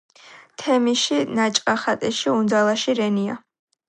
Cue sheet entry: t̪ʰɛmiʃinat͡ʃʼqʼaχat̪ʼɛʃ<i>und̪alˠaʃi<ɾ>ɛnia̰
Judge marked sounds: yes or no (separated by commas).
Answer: yes, yes